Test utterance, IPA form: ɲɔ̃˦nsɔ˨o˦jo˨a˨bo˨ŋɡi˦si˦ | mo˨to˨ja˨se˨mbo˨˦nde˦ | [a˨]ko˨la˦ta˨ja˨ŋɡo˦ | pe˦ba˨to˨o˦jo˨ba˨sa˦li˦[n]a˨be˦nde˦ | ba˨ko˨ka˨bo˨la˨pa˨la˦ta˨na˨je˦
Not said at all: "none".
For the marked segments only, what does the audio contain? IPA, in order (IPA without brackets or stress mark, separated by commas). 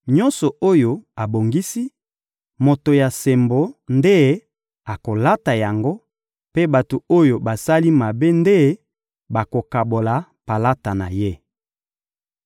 a˨, m